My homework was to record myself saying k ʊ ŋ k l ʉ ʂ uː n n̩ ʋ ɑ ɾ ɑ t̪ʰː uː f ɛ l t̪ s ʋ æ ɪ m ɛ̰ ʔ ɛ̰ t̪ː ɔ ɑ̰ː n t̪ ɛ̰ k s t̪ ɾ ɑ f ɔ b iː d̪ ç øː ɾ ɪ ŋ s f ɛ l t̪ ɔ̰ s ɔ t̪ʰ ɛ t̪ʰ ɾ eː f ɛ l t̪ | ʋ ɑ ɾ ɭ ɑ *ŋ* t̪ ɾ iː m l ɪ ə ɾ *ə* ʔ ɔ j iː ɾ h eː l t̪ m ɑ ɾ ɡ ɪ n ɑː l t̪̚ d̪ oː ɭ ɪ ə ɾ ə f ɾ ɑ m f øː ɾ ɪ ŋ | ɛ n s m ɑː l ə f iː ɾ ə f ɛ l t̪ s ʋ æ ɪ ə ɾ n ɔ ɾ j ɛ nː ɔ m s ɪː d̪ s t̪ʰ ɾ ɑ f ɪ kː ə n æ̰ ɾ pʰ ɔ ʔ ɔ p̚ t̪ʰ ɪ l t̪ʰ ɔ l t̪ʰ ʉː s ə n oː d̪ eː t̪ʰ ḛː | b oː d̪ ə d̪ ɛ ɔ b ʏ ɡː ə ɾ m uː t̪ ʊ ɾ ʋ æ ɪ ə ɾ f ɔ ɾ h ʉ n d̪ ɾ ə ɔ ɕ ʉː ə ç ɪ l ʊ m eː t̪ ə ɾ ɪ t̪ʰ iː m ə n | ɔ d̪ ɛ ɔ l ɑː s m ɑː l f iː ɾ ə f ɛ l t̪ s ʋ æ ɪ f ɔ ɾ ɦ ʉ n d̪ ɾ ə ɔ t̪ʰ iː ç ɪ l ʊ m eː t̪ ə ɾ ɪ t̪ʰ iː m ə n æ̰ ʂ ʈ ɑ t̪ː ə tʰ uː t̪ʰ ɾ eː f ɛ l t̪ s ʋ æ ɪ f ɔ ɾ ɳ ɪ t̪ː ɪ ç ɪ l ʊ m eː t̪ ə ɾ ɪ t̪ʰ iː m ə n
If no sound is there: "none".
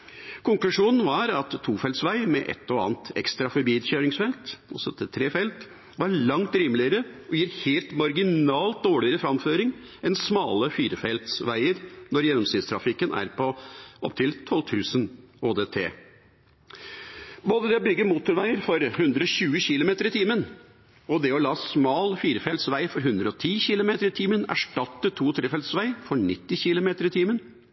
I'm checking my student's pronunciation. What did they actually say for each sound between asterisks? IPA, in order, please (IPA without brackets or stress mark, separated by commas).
ŋ, ə